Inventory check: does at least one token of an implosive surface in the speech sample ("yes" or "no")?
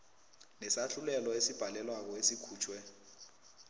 no